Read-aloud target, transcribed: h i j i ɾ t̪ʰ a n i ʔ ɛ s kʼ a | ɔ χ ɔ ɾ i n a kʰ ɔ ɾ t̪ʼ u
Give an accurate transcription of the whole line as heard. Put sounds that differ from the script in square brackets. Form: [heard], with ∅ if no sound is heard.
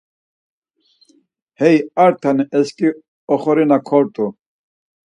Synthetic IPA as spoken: h [ɛ] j [a] ɾ t̪ʰ a n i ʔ ɛ s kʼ [i] | ɔ χ ɔ ɾ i n a kʰ ɔ ɾ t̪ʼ u